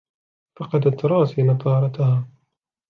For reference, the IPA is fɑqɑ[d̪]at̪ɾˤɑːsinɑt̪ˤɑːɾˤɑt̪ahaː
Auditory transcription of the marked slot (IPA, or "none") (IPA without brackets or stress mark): d̪